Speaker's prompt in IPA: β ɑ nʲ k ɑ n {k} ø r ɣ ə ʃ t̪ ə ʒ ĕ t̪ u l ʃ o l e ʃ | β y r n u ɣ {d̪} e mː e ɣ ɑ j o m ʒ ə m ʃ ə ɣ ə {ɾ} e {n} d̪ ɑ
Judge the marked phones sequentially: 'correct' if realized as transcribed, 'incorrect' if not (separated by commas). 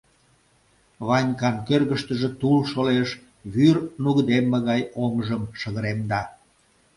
correct, correct, correct, incorrect